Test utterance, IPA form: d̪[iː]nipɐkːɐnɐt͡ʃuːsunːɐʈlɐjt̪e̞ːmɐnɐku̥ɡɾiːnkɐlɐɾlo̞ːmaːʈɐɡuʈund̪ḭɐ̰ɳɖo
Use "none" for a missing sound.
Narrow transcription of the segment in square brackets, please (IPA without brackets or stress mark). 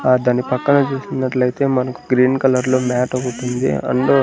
aː